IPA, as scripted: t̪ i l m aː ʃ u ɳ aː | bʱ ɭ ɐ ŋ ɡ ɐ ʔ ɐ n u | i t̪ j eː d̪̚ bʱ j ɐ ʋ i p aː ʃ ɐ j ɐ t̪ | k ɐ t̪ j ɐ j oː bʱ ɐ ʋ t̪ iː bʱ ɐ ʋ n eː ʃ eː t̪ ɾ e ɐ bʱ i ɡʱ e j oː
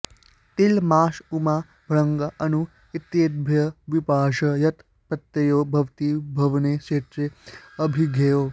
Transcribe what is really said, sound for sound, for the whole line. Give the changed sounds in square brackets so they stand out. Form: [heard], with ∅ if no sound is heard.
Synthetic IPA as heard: t̪ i l m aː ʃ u [m] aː | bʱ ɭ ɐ ŋ ɡ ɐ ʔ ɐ n u | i t̪ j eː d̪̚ bʱ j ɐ ʋ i p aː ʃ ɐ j ɐ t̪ | [p] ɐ t̪ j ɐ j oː bʱ ɐ ʋ t̪ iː bʱ ɐ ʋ n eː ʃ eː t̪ ɾ e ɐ bʱ i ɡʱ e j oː